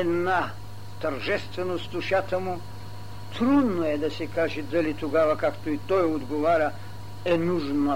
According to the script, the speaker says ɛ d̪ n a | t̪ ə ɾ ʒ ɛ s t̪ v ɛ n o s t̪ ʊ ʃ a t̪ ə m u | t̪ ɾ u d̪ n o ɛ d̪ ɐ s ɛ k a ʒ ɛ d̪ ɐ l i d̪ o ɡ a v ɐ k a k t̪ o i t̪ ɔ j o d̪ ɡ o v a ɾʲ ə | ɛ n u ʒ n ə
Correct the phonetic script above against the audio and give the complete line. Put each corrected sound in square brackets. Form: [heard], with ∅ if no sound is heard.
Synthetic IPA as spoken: ɛ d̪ n a | t̪ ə ɾ ʒ ɛ s t̪ v ɛ n o s t̪ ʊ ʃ a t̪ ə m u | t̪ ɾ u d̪ n o ɛ d̪ ɐ s ɛ k a ʒ ɛ d̪ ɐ l i [t̪] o ɡ a v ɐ k a k t̪ o i t̪ ɔ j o d̪ ɡ o v a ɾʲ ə | ɛ n u ʒ n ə